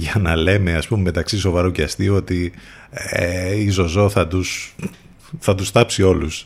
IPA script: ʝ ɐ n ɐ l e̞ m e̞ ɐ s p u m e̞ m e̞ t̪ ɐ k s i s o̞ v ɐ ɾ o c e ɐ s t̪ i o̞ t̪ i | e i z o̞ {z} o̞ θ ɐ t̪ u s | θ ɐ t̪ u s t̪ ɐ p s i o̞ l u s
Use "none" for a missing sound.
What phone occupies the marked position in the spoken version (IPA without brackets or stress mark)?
z